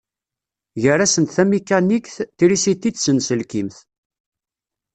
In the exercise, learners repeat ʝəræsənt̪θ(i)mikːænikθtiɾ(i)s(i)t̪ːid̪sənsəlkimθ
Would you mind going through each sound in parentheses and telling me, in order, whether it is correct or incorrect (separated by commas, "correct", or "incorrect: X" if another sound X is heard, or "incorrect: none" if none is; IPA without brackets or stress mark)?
incorrect: æ, correct, correct